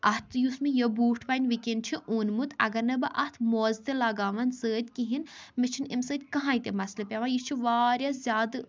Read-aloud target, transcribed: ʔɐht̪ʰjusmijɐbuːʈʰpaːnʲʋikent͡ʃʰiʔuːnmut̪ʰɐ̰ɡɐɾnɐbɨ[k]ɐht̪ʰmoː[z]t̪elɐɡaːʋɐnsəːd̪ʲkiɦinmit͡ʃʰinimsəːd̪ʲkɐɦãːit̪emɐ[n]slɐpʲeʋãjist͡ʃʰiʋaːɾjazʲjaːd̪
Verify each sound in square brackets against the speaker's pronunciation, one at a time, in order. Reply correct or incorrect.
incorrect, correct, incorrect

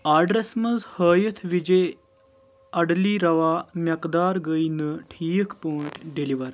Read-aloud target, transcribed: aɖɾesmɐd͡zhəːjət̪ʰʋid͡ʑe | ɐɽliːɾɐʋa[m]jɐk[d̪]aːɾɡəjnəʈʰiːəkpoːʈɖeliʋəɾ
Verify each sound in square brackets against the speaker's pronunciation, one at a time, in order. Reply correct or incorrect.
correct, correct

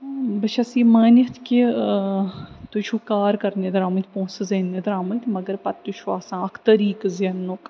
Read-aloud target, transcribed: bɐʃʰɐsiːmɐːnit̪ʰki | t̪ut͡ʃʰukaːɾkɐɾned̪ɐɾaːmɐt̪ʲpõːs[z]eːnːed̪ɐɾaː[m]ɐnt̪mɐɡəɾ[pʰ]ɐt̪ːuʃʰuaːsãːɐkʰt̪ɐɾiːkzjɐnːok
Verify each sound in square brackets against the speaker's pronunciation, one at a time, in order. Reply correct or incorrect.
correct, correct, incorrect

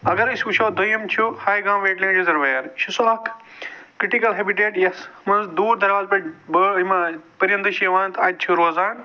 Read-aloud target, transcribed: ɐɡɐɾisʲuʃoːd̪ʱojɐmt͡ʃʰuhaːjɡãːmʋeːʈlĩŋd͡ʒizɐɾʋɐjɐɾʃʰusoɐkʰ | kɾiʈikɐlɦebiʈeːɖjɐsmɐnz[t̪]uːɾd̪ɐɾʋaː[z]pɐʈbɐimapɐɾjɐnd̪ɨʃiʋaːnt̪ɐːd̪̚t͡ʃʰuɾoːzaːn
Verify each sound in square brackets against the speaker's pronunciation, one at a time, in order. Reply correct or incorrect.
incorrect, correct

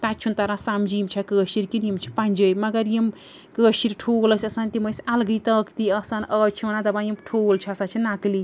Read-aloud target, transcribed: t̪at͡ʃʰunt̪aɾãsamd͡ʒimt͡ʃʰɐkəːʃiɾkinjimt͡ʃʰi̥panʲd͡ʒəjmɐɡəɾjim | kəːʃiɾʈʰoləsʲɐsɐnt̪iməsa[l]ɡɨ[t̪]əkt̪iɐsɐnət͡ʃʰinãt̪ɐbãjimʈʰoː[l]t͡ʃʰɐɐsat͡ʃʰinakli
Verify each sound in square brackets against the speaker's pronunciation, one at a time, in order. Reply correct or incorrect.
correct, correct, correct

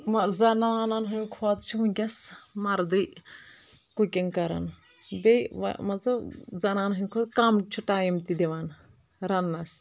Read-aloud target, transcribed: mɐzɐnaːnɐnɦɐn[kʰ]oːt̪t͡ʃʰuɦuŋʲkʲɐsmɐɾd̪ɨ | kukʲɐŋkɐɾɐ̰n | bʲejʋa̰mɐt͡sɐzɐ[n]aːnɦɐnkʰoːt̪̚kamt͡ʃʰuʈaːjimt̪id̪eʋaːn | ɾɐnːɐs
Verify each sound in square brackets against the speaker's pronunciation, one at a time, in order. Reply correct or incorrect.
correct, correct

